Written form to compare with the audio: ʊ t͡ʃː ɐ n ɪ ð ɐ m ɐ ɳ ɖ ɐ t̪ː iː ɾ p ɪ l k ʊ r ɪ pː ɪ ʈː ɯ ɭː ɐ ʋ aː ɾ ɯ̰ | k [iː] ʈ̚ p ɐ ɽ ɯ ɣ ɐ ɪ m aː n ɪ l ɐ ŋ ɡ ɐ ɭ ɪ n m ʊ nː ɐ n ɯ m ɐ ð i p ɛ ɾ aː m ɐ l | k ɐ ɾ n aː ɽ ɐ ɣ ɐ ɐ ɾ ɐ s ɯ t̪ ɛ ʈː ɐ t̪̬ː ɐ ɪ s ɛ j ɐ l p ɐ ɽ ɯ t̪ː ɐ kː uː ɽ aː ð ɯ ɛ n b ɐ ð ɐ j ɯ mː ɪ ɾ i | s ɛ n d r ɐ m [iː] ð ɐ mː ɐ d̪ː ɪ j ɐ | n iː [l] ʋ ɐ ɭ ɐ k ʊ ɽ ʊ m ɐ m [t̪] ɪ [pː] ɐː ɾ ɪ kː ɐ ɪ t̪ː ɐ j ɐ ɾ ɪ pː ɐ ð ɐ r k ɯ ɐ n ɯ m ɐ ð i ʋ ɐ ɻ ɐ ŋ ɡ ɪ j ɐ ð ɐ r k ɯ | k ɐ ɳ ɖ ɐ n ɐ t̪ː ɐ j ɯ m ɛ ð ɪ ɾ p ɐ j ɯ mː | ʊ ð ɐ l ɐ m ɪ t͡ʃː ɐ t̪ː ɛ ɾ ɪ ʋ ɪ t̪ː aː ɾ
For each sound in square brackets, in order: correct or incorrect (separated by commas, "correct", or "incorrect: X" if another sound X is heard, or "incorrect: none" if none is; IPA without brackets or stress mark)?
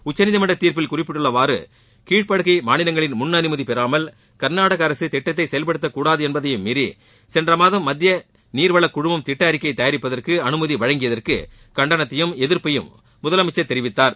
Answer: correct, incorrect: aː, incorrect: ɾ, correct, incorrect: ʈː